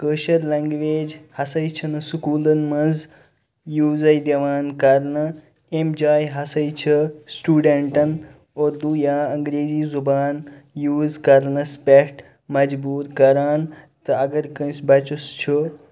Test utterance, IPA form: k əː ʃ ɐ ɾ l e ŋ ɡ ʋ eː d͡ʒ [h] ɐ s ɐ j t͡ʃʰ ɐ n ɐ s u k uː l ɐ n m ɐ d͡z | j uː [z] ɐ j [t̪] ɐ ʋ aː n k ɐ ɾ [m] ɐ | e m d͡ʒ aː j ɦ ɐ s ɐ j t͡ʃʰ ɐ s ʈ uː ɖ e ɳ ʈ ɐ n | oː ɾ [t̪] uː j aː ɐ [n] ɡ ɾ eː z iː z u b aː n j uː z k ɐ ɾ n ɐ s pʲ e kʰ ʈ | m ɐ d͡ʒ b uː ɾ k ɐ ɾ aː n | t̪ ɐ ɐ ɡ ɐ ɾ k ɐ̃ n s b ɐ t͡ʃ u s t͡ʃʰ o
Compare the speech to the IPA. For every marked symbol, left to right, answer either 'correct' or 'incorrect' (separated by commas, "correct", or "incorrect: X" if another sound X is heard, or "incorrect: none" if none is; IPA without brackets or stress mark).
correct, correct, incorrect: d̪, incorrect: n, incorrect: d̪, incorrect: ŋ